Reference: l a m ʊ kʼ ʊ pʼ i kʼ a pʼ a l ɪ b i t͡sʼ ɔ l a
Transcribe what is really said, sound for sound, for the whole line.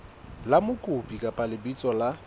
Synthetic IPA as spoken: l a m ʊ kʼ ʊ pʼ i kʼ a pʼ a l ɪ b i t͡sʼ ɔ l a